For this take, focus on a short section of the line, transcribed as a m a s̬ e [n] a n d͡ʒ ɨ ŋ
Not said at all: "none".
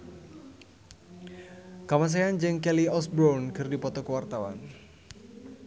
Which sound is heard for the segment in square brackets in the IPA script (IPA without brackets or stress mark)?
none